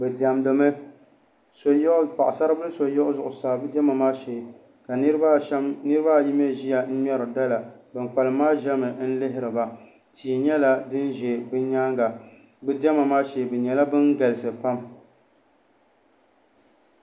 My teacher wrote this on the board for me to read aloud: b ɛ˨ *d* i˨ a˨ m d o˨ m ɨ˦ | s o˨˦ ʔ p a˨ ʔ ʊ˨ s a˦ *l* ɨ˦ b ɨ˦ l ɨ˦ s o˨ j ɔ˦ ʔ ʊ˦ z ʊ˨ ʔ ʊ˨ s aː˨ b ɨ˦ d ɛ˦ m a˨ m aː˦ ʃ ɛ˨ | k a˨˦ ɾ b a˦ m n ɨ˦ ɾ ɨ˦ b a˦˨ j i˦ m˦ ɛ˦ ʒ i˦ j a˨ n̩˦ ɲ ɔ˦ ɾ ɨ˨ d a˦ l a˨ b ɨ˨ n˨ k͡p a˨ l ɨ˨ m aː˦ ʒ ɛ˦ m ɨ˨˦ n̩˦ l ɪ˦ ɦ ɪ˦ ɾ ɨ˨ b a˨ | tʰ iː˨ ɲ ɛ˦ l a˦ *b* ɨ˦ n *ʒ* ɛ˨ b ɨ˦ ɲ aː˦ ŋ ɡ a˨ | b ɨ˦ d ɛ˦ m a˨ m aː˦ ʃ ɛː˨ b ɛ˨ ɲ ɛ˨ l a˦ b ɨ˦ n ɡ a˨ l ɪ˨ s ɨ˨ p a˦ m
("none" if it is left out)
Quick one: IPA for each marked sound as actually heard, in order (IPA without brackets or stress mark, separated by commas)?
d, ɾ, d, ʒ